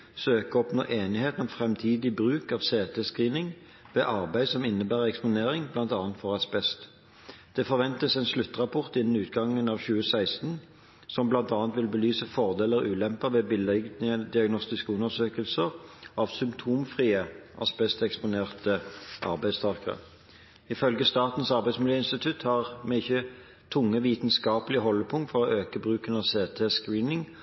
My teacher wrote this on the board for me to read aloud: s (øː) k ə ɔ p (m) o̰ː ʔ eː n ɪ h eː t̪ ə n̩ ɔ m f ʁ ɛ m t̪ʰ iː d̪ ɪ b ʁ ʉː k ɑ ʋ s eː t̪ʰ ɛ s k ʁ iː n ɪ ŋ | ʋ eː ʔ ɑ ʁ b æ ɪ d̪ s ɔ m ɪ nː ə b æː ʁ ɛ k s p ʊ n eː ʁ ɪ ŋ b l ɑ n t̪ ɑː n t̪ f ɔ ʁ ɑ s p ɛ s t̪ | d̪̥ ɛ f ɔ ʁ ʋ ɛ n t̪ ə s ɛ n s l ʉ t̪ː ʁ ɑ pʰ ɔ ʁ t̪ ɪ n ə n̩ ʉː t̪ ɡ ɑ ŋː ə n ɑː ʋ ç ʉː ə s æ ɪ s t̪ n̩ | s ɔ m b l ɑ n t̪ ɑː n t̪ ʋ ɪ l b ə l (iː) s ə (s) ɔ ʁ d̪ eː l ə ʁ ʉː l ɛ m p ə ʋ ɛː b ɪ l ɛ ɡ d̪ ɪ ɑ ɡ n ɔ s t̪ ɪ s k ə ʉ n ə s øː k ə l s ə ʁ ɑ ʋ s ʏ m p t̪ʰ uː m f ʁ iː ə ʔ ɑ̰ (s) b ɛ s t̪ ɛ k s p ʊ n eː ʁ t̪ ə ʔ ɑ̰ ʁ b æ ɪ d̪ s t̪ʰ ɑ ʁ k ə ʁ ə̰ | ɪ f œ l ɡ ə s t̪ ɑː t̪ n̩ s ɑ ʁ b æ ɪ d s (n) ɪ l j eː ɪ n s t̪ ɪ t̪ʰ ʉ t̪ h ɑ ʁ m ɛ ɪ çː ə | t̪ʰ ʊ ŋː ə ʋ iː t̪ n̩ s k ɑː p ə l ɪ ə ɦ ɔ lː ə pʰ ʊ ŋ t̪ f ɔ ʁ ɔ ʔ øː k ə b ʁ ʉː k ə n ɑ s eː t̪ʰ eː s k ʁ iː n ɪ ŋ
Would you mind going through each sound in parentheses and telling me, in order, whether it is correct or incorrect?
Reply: correct, incorrect: n, incorrect: yː, incorrect: f, correct, incorrect: m

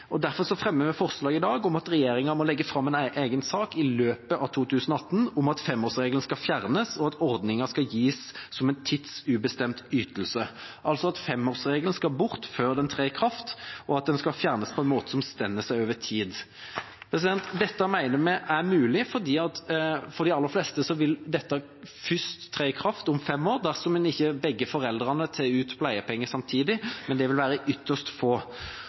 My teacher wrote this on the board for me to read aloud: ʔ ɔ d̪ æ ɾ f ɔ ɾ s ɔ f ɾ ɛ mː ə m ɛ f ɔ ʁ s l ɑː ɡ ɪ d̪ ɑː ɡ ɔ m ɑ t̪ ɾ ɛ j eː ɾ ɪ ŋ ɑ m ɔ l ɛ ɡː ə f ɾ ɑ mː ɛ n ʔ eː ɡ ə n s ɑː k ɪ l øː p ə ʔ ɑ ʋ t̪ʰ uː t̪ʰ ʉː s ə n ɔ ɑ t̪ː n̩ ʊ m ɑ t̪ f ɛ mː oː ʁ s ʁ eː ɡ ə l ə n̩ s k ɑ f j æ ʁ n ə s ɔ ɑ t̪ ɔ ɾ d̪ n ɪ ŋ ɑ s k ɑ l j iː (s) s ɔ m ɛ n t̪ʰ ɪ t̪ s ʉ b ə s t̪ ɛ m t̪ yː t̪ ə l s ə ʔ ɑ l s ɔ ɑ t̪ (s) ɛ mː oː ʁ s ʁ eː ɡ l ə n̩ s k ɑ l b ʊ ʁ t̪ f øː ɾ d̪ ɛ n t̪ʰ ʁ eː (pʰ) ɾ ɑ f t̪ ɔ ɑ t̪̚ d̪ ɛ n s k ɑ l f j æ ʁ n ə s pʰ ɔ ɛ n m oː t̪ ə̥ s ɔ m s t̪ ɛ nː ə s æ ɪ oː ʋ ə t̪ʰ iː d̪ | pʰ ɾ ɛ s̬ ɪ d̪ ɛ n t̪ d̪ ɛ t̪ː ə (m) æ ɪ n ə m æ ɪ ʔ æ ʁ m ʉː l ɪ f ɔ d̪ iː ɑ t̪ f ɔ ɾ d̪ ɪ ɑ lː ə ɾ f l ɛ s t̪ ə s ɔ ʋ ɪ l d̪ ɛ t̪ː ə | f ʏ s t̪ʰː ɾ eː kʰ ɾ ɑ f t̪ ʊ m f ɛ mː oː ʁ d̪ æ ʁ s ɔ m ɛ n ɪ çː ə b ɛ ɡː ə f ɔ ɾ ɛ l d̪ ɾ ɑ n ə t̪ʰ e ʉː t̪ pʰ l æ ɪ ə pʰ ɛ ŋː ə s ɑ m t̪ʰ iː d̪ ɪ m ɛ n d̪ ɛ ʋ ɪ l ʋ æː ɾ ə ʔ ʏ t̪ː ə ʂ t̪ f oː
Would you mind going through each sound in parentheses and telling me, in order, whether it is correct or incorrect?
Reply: correct, incorrect: f, incorrect: kʰ, correct

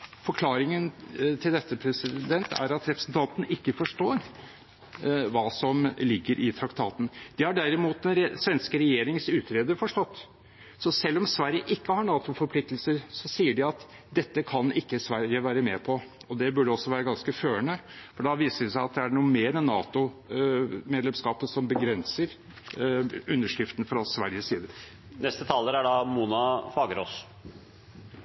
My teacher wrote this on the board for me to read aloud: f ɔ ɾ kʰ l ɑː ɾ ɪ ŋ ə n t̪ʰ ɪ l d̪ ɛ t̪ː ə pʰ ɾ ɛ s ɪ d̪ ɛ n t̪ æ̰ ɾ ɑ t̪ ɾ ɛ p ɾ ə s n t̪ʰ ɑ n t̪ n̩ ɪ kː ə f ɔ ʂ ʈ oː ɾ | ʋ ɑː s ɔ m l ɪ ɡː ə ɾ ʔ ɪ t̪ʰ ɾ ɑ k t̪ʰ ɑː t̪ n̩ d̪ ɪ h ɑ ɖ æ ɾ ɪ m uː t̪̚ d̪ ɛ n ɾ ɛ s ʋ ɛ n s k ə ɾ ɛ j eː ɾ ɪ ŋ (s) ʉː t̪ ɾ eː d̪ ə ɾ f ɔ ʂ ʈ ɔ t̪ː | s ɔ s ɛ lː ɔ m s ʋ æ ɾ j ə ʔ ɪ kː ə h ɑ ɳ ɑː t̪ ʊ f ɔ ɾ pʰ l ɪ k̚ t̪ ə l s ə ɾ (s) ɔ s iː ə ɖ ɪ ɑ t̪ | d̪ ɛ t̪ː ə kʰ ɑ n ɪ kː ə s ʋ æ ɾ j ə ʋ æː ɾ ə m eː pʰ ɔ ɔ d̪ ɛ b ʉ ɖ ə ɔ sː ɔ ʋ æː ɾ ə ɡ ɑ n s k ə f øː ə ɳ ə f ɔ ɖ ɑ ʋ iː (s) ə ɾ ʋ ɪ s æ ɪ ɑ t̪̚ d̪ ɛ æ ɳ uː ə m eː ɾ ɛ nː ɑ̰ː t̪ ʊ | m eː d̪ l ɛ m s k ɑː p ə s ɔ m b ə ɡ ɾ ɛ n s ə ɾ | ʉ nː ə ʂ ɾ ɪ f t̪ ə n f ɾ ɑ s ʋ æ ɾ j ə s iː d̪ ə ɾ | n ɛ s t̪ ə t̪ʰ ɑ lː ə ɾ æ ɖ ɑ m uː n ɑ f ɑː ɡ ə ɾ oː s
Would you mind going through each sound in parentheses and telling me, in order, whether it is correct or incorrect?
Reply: correct, correct, correct

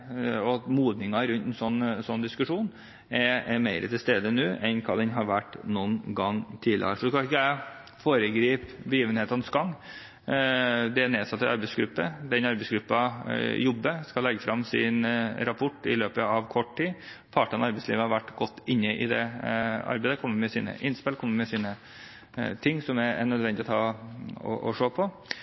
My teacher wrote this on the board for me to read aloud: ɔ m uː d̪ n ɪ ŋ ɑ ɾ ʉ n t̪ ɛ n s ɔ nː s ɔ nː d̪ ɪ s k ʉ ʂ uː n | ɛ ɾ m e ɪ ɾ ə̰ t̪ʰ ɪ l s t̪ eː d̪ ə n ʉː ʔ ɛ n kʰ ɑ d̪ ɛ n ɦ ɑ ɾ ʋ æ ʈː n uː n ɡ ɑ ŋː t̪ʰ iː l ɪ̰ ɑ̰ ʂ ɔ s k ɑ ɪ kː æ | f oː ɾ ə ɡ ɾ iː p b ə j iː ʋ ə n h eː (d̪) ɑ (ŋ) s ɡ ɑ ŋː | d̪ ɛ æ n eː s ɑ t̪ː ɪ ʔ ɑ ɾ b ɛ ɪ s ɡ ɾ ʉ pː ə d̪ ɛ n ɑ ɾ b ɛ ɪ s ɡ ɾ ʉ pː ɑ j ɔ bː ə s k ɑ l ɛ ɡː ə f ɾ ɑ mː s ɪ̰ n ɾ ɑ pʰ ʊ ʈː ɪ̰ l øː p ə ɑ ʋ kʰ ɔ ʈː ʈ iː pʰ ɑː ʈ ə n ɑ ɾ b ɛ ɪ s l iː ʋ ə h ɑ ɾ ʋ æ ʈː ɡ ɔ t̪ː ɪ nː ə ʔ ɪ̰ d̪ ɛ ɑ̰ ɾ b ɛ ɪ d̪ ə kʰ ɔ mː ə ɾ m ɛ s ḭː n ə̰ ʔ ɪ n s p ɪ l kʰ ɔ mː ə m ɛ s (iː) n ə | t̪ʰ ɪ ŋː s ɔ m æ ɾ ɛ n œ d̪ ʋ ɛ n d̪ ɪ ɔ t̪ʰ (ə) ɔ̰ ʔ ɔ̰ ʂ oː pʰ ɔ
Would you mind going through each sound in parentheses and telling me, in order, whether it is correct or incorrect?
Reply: incorrect: t̪, incorrect: n, correct, incorrect: ɑ

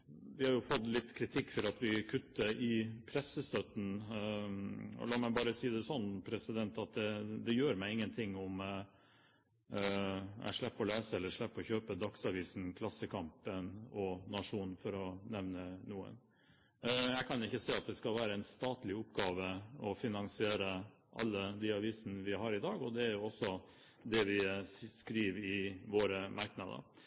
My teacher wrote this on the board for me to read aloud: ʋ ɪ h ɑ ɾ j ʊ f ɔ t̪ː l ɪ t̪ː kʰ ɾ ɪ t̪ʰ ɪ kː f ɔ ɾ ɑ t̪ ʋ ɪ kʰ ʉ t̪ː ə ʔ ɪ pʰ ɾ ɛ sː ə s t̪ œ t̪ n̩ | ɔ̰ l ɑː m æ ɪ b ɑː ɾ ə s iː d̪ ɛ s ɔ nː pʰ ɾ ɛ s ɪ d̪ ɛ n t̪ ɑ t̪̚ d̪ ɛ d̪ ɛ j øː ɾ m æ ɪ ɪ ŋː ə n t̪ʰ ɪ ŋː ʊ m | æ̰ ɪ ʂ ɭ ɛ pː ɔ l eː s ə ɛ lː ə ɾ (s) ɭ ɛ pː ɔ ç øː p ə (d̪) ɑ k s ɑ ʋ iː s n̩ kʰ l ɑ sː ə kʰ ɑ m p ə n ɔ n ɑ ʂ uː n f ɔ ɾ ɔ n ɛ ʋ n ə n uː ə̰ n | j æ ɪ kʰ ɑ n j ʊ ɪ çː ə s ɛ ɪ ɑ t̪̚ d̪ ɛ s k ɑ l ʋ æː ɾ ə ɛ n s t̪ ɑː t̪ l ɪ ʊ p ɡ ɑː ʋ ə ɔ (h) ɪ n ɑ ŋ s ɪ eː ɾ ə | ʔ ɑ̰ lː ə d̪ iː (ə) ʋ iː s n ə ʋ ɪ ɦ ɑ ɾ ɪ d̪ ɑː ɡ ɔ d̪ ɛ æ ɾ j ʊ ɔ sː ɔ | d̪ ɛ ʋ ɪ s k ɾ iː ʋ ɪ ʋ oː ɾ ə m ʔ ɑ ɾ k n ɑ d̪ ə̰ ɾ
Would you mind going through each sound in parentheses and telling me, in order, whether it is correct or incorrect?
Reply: incorrect: ʂ, correct, incorrect: f, incorrect: ɑ

